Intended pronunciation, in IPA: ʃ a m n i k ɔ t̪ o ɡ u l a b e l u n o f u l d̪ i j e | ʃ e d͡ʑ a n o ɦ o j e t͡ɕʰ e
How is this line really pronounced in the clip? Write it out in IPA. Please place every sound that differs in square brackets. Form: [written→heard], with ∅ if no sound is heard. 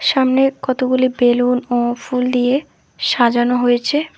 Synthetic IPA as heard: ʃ a m n [i→e] k ɔ t̪ o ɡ u l [a→i] b e l u n o f u l d̪ i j e | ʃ [e→a] d͡ʑ a n o ɦ o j e t͡ɕʰ e